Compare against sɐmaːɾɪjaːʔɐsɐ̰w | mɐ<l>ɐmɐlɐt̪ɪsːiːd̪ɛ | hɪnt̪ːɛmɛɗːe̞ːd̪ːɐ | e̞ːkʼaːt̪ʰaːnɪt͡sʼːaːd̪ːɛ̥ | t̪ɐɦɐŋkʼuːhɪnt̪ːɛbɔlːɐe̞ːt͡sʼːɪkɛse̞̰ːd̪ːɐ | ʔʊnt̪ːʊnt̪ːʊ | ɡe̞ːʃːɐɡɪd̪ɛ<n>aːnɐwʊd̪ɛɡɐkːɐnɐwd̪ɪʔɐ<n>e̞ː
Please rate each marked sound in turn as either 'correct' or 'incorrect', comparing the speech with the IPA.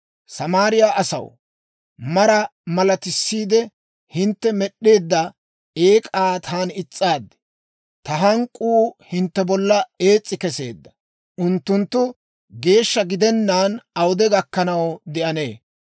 incorrect, incorrect, correct

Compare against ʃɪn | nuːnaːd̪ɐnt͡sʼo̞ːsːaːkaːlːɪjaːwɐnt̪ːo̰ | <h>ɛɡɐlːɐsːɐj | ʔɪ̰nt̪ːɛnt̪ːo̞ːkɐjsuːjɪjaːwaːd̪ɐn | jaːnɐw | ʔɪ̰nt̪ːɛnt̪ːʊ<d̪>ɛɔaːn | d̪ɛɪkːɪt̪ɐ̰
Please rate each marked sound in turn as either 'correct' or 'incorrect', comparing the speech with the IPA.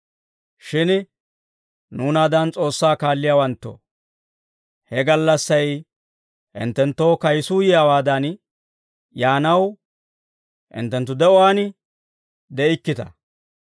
correct, correct

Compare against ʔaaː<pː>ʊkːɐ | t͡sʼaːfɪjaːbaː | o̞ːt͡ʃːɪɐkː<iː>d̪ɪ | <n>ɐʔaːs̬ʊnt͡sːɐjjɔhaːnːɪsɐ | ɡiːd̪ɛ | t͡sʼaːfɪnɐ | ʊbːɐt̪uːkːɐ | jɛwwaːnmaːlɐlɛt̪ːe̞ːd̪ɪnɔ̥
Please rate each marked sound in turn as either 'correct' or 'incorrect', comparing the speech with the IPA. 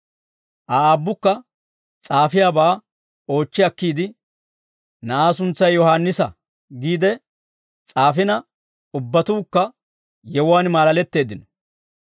incorrect, correct, correct

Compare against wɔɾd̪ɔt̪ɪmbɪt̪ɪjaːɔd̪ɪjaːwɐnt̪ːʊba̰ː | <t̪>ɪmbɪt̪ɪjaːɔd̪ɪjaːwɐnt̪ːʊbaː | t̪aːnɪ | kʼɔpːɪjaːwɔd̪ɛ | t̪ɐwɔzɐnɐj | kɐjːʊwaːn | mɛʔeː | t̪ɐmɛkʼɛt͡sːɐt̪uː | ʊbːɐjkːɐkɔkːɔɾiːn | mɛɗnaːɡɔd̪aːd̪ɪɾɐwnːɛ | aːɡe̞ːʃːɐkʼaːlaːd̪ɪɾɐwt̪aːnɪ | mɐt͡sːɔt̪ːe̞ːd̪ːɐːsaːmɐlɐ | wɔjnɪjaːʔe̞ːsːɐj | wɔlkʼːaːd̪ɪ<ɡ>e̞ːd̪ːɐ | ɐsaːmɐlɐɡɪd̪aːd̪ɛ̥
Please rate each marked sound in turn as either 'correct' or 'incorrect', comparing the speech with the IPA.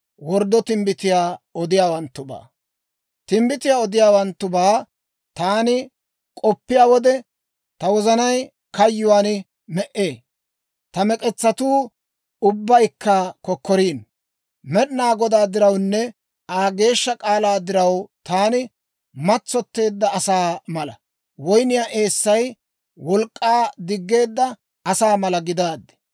correct, incorrect

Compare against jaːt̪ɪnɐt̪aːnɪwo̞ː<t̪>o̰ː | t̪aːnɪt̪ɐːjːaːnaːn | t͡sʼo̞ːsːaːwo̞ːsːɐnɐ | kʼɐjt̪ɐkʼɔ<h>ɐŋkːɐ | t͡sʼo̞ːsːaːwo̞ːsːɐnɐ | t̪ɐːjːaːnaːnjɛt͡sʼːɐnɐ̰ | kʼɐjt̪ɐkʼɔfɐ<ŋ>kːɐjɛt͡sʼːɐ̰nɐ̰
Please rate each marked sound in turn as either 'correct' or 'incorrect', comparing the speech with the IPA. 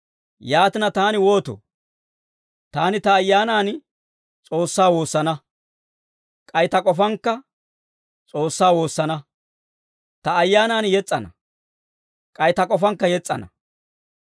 correct, incorrect, correct

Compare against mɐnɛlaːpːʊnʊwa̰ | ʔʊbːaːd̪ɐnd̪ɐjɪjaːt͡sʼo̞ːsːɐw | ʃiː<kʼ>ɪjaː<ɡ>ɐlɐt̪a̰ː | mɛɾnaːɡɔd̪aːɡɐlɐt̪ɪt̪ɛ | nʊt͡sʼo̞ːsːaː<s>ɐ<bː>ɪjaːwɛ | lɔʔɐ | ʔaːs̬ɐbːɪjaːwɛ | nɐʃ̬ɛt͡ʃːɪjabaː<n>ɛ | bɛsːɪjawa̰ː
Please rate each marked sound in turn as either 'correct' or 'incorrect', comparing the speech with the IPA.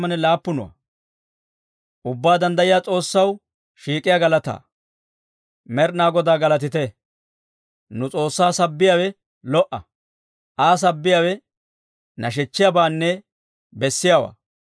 correct, correct, correct, correct, incorrect

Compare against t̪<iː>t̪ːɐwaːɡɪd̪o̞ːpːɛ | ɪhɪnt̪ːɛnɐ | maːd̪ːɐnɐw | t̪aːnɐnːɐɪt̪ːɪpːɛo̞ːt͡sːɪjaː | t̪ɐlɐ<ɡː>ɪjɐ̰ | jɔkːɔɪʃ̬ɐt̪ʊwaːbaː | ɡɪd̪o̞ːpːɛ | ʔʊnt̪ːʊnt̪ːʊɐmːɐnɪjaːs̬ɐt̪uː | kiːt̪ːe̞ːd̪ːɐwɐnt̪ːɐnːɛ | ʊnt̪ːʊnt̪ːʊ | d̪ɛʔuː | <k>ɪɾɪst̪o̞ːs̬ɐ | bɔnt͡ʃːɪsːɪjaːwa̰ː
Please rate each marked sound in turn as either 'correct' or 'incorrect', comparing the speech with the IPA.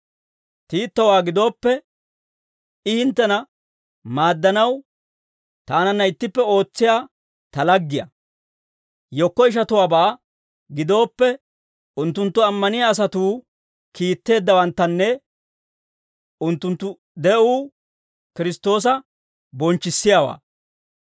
correct, correct, correct

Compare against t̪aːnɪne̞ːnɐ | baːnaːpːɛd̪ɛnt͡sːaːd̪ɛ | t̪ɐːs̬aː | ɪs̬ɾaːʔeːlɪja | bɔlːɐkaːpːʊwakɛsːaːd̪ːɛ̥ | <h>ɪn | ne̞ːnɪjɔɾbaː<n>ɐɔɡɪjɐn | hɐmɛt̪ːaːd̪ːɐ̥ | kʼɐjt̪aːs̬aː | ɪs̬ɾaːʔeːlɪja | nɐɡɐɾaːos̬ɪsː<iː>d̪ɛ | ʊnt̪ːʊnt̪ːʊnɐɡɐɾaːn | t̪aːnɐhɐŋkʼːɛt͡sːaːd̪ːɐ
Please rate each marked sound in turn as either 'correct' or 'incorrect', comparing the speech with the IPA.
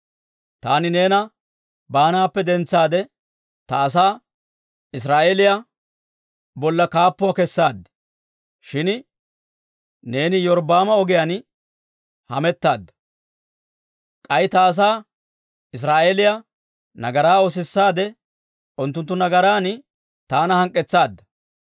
incorrect, incorrect, incorrect

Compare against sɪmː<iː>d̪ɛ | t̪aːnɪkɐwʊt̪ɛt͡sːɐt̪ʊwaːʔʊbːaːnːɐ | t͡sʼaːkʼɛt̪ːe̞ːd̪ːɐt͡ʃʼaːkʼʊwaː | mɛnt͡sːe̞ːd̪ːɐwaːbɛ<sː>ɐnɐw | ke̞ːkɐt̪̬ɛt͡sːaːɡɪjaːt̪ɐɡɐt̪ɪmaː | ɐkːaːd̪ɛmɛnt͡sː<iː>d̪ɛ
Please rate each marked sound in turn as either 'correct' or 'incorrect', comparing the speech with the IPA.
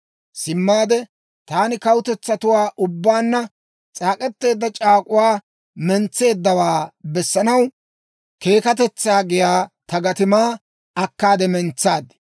incorrect, correct, incorrect

